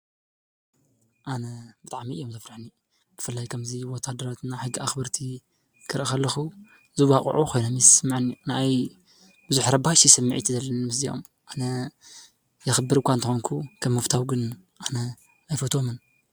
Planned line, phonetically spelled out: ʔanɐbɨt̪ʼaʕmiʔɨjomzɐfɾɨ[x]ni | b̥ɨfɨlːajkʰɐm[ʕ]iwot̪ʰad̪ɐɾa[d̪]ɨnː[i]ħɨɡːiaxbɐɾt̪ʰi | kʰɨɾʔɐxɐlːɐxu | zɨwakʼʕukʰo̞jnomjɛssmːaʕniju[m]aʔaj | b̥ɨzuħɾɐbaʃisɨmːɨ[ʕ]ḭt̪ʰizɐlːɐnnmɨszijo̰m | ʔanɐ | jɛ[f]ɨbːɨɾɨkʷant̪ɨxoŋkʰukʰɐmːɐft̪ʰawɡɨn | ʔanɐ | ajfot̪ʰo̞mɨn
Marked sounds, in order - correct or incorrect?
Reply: incorrect, incorrect, incorrect, incorrect, incorrect, correct, incorrect

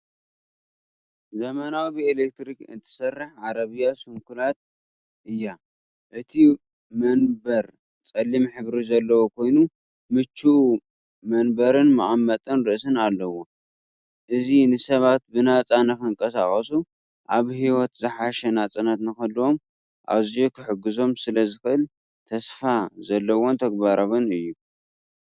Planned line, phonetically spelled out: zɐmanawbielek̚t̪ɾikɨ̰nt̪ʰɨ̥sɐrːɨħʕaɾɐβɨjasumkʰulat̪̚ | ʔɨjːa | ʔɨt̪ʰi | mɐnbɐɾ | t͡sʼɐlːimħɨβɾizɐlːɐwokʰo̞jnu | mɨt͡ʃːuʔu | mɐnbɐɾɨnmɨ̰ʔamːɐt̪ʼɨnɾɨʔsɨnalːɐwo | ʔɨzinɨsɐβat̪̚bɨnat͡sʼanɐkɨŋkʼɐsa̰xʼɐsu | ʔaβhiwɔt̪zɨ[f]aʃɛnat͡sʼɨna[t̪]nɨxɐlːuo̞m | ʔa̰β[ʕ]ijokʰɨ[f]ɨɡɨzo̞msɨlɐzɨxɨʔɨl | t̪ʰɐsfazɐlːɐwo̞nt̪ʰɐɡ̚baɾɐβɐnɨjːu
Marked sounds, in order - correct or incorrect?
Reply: incorrect, correct, incorrect, incorrect

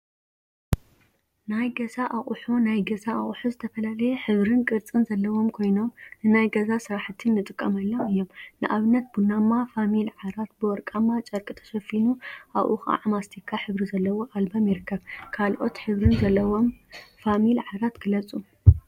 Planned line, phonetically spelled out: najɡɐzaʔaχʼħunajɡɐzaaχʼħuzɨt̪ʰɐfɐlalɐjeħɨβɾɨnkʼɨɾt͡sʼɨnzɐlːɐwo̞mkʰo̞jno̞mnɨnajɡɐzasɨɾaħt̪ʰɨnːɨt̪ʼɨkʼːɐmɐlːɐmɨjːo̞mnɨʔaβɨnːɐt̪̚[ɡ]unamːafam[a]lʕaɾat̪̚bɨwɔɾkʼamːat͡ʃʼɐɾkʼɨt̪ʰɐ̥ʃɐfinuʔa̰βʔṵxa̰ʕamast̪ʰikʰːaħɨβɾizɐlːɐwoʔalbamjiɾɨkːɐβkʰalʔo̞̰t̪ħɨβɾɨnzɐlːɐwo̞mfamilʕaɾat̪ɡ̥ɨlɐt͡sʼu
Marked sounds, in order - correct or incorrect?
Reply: incorrect, incorrect

